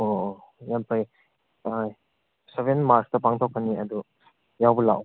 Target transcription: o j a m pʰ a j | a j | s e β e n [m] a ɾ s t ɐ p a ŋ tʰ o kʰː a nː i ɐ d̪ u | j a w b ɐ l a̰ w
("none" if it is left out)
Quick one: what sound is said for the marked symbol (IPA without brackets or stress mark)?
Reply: m